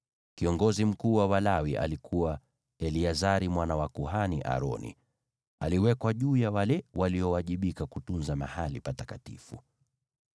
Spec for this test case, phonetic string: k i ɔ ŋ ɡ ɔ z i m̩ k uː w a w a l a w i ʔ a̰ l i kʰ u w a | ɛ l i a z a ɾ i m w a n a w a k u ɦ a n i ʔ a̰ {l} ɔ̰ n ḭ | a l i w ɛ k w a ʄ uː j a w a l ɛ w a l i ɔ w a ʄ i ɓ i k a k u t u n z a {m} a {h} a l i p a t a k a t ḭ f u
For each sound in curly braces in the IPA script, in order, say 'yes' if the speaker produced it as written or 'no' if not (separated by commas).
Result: no, yes, yes